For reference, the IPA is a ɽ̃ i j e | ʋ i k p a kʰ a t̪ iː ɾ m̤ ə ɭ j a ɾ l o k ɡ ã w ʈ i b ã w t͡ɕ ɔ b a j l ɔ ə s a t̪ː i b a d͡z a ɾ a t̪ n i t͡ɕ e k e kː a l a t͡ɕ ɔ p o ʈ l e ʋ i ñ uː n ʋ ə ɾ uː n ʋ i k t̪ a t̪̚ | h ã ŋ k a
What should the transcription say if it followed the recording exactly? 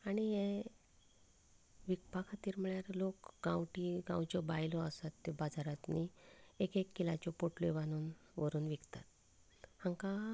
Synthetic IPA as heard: a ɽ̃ i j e | ʋ i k p a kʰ a t̪ iː ɾ m̤ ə ɭ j a ɾ l o k ɡ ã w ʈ i ɡ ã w t͡ɕ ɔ b a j l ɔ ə s a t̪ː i b a d͡z a ɾ a t̪ n i e k e kː i l a t͡ɕ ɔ p o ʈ l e ʋ a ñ uː n ʋ ə ɾ uː n ʋ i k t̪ a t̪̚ | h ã ŋ k a